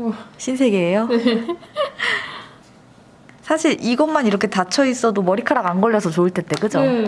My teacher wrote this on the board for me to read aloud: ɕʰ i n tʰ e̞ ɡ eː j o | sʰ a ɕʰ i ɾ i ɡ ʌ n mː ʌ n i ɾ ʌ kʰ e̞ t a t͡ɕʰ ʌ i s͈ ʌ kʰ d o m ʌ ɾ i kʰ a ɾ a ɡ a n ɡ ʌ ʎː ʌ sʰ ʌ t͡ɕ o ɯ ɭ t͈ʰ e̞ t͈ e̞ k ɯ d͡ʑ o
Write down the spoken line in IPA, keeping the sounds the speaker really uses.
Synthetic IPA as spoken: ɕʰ i n sʰ e̞ ɡ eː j o | sʰ a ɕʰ i ɾ i ɡ ʌ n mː a n i ɾ ʌ kʰ e̞ t a t͡ɕʰ ʌ i s͈ ʌ d o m ʌ ɾ i kʰ a ɾ a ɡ a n ɡ ʌ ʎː ʌ sʰ ʌ t͡ɕ o ɯ ɭ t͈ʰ e̞ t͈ e̞ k ɯ d͡ʑ o